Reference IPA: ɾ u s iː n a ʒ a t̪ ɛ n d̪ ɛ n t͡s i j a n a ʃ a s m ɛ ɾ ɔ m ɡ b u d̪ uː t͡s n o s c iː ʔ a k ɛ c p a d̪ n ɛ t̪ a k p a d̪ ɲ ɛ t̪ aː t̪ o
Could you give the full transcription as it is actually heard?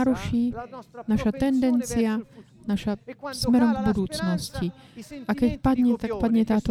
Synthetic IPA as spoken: ɾ u ʃ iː n a ʃ a t̪ ɛ n d̪ ɛ n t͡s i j a n a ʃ a s m ɛ ɾ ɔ m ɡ b u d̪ uː t͡s n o s c i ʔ a k ɛ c p a d̪ ɲ ɛ t̪ a k p a d̪ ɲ ɛ t̪ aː t̪ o